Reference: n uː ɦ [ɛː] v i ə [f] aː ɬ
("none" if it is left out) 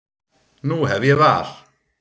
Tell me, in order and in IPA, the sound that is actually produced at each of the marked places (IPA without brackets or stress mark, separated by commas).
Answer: ɛ, v